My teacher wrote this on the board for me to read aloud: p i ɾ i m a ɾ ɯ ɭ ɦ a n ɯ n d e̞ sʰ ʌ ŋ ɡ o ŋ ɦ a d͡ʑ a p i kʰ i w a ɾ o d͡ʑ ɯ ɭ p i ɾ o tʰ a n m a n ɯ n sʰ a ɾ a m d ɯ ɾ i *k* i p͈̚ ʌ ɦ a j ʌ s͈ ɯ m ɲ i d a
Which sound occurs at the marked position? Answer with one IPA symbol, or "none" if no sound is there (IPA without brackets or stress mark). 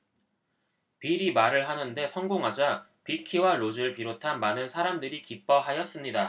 k